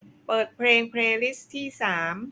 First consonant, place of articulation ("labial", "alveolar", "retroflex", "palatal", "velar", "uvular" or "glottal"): labial